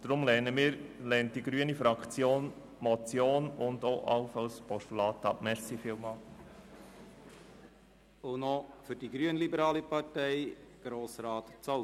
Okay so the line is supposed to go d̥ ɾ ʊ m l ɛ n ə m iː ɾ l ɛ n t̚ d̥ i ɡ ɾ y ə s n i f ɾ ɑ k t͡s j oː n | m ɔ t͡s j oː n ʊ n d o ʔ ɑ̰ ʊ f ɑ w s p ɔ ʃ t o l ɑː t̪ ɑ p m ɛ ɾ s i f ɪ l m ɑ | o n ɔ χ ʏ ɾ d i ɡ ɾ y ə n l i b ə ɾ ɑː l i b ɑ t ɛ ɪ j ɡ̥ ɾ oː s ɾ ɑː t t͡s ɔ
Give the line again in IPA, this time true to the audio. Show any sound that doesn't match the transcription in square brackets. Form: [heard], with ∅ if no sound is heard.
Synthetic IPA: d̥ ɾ ʊ m l ɛ n ə m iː ɾ l ɛ n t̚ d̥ i ɡ ɾ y ə [∅] n i f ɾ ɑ k t͡s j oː n | m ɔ t͡s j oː n ʊ n d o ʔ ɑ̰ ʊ f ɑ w s p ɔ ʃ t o l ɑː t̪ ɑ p m ɛ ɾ s i f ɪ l m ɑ | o n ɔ [f] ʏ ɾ d i ɡ ɾ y ə n l i b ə ɾ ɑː l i [p] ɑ t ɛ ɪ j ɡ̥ ɾ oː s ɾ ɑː t t͡s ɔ